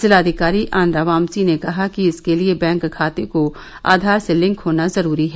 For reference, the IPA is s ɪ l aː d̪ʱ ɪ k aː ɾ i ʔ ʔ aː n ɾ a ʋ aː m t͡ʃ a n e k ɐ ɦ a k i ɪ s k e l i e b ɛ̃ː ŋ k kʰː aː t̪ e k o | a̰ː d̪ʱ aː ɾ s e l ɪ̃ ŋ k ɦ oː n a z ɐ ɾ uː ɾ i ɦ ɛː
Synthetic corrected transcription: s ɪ l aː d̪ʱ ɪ k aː ɾ i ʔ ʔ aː n ɾ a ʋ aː m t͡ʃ i n e k ɐ ɦ a k i ɪ s k e l i e b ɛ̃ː ŋ k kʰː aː t̪ e k o | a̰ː d̪ʱ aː ɾ s e l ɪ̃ ŋ k ɦ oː n a z ɐ ɾ uː ɾ i ɦ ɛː